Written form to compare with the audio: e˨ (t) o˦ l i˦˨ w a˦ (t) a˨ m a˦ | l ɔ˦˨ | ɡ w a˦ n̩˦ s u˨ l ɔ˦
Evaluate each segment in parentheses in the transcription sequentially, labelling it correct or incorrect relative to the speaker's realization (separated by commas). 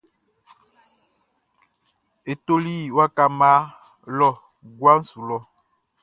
correct, incorrect